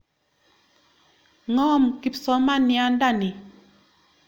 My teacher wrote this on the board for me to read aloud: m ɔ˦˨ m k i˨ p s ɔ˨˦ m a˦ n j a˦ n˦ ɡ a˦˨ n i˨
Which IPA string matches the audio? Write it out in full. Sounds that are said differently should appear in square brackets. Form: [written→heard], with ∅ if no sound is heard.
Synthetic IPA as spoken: [m→ŋ] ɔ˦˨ m k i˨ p s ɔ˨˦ m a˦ n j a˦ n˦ [ɡ→d] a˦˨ n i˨